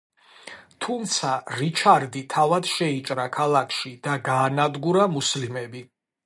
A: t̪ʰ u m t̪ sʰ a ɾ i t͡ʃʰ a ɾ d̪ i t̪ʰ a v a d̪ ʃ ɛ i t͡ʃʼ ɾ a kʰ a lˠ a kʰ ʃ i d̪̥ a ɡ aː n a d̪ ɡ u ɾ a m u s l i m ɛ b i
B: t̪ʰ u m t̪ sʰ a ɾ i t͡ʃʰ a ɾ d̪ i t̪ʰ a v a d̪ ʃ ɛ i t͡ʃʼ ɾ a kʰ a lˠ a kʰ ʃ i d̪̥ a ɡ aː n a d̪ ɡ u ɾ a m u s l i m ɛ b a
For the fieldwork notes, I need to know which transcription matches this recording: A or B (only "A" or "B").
A